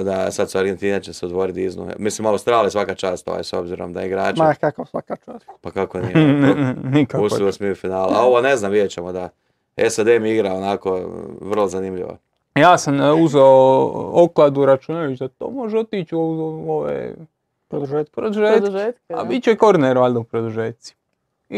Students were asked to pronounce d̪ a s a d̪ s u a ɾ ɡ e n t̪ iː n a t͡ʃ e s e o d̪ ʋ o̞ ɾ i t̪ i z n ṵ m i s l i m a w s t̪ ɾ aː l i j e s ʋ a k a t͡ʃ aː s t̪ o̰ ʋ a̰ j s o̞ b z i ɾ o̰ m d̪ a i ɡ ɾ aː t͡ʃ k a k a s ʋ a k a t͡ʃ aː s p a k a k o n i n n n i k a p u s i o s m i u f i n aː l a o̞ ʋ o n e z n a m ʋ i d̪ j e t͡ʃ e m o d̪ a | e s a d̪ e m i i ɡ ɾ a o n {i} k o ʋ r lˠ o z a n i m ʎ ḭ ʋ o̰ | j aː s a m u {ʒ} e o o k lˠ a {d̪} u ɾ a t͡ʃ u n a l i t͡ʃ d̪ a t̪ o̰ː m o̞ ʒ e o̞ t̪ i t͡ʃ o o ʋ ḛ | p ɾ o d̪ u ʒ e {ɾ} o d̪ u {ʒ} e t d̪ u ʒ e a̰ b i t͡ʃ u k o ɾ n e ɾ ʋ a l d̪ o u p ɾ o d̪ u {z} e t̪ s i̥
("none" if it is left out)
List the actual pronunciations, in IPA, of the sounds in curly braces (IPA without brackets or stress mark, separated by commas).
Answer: a, z, d̪, ɾ, ʒ, ʒ